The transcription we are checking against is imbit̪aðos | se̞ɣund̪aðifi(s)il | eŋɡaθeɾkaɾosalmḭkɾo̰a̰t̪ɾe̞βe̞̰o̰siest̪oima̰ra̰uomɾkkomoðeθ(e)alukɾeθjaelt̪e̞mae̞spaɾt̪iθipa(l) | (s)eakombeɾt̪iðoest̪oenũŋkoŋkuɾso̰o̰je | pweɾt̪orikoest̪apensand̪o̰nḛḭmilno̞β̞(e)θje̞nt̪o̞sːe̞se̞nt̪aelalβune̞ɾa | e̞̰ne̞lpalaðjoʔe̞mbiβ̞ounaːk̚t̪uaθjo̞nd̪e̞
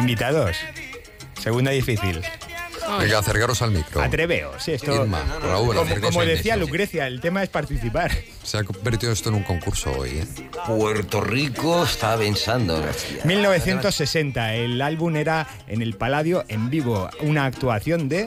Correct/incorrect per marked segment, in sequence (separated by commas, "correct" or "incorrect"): incorrect, incorrect, incorrect, correct, correct